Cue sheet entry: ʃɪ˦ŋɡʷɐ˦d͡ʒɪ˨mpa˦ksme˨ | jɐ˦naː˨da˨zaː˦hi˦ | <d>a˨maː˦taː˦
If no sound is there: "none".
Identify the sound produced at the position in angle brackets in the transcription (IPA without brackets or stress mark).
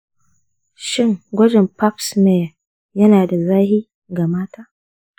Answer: ɡ